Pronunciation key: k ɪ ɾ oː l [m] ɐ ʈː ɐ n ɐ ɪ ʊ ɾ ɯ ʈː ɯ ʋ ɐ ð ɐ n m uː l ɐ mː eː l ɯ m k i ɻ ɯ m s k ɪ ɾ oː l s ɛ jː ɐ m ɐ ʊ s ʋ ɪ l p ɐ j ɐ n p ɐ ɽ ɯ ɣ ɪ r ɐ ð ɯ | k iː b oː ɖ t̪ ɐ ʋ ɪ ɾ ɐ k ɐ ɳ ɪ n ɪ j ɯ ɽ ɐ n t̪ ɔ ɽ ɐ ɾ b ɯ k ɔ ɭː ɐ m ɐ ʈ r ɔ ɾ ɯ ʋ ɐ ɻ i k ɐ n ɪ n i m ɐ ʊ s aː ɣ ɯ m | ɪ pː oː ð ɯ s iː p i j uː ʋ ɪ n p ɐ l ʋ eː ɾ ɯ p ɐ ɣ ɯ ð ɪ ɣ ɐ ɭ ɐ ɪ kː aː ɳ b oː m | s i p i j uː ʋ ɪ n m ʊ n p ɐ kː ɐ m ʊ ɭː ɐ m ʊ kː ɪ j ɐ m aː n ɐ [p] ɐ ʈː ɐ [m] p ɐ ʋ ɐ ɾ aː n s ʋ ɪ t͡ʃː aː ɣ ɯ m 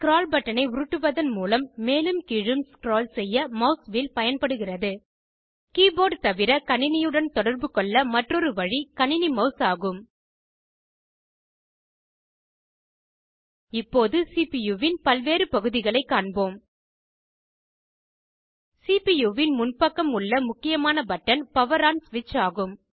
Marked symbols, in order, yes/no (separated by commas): no, no, no